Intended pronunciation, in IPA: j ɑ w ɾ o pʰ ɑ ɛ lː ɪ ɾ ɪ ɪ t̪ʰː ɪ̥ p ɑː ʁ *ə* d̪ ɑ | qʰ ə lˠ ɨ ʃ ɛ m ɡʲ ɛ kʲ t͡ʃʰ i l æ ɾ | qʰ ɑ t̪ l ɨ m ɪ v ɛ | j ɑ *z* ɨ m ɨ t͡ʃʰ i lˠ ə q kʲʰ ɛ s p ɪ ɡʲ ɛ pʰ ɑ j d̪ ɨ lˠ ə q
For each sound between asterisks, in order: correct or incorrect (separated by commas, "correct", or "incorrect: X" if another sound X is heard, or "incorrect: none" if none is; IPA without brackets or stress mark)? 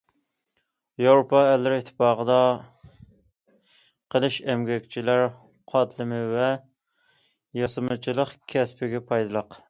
correct, incorrect: s